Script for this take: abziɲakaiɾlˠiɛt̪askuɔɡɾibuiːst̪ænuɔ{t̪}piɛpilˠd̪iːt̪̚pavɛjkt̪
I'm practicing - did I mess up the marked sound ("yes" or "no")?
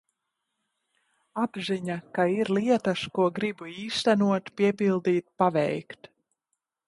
no